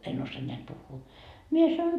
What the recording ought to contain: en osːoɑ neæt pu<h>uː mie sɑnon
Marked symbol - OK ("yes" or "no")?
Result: no